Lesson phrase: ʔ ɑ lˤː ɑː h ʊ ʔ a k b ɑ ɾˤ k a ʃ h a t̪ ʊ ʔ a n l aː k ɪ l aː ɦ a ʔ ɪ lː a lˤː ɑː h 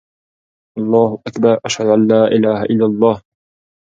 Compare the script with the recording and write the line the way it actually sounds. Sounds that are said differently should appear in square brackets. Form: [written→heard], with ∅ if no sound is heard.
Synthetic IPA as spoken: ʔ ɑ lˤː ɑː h ʊ ʔ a k b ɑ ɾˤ [k→ʔ] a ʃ h a [t̪→d̪] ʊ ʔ a n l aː [k→ʔ] ɪ l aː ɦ a ʔ ɪ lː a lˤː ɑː h